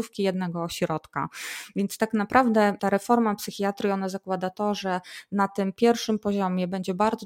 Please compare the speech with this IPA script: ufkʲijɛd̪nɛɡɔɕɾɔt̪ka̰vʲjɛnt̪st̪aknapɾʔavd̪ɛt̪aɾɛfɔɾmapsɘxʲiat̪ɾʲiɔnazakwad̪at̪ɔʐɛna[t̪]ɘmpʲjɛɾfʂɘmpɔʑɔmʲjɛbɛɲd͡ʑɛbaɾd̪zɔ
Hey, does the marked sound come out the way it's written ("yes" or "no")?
yes